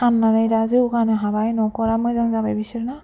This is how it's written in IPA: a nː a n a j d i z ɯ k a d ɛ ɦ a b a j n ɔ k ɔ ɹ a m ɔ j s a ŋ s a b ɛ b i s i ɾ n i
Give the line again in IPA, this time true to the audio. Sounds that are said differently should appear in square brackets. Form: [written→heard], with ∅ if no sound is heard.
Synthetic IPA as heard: a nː a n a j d [i→a] z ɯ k a [d→n] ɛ ɦ a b a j n ɔ k ɔ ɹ a m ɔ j [s→z] a ŋ [s→z] a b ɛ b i s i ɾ n [i→a]